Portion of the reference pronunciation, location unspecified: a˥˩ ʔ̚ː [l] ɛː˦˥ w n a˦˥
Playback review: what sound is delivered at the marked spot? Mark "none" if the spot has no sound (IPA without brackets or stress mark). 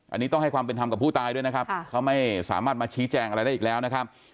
l